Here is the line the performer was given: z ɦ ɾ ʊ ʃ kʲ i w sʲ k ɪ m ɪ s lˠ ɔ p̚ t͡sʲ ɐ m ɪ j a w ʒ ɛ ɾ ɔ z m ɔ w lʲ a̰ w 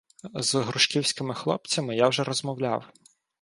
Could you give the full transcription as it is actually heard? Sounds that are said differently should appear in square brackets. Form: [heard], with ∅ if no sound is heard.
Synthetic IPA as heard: z ɦ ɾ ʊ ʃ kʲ i w sʲ k ɪ m ɪ [x] lˠ ɔ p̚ t͡sʲ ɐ m ɪ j a w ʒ ɛ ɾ ɔ z m ɔ w lʲ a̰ w